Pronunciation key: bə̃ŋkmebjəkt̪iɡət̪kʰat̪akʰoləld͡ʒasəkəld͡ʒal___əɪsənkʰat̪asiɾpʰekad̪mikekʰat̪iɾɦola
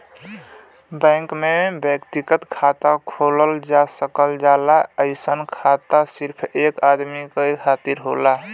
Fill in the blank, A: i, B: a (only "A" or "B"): B